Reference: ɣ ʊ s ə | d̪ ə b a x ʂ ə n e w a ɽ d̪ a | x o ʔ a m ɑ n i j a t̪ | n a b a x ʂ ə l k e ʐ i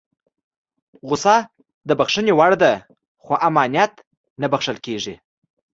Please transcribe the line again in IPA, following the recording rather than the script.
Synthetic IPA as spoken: ɣ ʊ s ɑ | d̪ ə b a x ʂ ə n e w a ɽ d̪ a | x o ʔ a m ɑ n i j a t̪ | n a b a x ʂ ə l k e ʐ i